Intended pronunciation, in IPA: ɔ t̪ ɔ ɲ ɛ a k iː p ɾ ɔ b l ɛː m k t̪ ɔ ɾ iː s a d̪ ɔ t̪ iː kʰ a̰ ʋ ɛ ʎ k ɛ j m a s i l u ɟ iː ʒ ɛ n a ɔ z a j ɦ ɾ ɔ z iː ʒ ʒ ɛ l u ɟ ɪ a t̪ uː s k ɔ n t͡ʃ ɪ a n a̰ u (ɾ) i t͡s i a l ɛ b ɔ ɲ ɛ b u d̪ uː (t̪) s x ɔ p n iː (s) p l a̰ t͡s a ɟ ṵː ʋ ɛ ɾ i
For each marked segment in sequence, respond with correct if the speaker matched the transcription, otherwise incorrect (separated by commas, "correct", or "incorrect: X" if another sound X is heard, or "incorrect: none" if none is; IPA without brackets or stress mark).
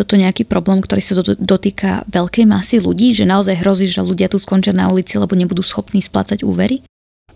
incorrect: l, incorrect: none, correct